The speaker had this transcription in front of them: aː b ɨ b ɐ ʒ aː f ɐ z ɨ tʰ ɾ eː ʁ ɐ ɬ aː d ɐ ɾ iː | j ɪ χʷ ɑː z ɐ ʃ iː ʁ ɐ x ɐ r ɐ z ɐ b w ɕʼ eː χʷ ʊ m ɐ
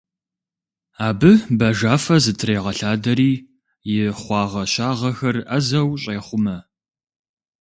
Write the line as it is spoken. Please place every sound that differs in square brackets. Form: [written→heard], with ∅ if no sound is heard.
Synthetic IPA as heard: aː b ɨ b ɐ ʒ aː f ɐ z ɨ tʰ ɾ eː ʁ ɐ ɬ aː d ɐ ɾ iː | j ɪ χʷ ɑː [z→ʁ] ɐ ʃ [iː→aː] ʁ ɐ x ɐ r ɐ z ɐ [b→∅] w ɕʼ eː χʷ ʊ m ɐ